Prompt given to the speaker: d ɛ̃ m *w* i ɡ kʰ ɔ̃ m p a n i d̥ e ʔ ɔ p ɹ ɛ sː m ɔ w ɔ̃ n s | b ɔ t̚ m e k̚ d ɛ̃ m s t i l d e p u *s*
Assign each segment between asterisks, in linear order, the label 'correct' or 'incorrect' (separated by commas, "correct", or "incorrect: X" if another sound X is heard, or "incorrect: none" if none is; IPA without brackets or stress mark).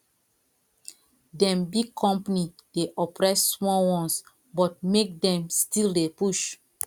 incorrect: b, incorrect: ʃ